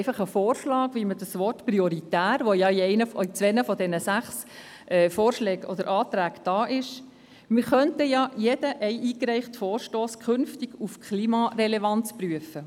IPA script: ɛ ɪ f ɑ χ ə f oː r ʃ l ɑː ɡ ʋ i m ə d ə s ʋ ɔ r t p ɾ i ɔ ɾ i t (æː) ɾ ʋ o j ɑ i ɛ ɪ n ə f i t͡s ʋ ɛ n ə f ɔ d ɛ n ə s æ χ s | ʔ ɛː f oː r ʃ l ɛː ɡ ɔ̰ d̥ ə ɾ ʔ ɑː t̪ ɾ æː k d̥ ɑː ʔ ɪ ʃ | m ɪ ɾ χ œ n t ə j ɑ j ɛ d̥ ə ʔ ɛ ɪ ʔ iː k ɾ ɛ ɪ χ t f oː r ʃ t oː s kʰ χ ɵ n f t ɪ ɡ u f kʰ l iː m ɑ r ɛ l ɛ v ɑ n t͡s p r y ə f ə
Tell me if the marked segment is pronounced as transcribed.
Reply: yes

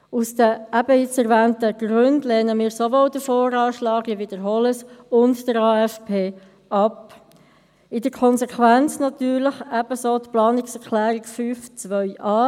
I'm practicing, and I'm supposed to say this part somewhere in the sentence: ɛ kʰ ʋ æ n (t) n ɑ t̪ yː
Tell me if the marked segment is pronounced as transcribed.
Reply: no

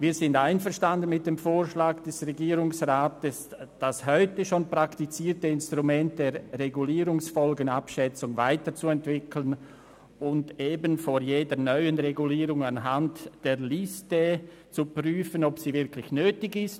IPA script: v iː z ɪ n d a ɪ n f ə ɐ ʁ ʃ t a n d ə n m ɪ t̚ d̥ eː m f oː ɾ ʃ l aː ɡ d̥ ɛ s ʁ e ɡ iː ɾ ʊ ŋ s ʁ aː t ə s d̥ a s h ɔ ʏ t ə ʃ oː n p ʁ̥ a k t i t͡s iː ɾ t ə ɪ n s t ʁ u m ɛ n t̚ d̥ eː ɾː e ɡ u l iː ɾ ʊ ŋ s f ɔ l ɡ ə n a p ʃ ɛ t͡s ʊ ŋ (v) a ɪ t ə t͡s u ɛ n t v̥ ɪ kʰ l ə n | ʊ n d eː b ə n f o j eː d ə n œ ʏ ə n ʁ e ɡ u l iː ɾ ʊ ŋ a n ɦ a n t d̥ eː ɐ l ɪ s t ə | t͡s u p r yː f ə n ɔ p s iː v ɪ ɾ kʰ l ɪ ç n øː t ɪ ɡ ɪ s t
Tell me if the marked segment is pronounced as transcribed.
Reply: yes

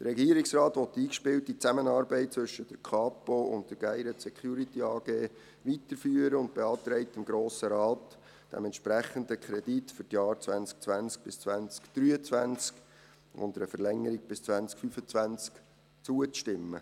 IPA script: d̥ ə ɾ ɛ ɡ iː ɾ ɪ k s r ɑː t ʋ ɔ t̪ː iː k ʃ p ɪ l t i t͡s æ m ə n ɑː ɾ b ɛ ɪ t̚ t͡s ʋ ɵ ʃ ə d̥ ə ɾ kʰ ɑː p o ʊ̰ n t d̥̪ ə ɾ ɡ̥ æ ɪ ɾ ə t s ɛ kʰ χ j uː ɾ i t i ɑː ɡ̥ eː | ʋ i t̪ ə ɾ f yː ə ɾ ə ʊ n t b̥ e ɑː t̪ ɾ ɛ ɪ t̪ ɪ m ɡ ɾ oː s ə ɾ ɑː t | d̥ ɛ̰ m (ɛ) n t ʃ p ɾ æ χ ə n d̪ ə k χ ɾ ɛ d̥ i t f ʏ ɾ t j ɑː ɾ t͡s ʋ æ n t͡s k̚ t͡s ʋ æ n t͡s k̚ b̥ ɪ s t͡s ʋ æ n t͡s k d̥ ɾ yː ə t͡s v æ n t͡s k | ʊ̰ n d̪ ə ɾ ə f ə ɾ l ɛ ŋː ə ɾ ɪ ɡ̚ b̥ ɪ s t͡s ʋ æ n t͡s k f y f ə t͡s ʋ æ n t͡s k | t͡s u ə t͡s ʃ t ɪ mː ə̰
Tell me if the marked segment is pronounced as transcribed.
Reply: yes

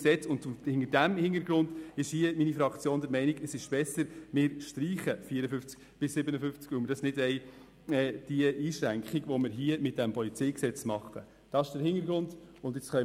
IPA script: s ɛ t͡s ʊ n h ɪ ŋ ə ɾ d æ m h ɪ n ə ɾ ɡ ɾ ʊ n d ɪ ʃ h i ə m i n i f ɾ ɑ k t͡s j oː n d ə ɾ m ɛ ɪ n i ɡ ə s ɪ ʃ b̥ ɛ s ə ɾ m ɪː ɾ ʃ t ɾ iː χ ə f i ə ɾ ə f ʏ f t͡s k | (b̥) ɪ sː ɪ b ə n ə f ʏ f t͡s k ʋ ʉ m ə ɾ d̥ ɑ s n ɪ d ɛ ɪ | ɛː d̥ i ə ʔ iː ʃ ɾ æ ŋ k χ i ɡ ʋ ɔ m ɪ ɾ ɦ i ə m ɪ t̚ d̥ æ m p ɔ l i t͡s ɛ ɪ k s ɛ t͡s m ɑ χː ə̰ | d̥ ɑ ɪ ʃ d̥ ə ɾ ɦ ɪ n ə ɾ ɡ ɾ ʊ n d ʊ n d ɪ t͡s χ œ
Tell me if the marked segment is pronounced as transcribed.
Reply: yes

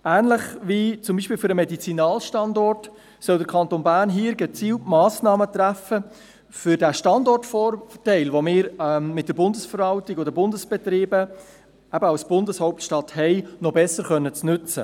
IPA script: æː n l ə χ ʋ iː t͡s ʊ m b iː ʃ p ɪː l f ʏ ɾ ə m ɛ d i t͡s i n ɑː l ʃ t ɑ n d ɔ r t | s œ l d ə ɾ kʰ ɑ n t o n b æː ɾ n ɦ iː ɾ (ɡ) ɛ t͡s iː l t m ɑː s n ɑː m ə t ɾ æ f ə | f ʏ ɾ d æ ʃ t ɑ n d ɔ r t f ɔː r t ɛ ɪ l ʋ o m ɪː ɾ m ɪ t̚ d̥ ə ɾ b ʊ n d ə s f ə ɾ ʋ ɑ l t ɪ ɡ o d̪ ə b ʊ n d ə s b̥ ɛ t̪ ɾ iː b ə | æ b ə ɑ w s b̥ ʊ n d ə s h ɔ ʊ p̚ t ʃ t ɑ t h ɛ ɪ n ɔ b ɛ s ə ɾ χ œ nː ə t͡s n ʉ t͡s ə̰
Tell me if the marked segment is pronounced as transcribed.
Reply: yes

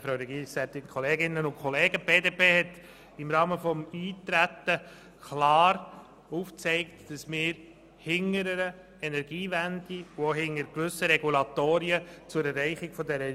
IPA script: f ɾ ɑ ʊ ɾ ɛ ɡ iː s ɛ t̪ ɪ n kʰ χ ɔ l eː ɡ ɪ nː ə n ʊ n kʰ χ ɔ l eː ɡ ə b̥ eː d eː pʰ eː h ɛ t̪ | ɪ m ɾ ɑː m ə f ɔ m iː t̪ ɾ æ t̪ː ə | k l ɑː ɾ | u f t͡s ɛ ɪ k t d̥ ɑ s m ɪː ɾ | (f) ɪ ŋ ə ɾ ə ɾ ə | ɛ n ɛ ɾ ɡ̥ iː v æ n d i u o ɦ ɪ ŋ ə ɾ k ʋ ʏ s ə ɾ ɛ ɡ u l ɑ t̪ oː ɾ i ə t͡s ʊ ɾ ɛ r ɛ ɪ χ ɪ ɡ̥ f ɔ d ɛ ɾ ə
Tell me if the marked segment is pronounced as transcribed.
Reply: no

